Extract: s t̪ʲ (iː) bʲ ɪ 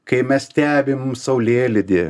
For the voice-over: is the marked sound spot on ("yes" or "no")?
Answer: no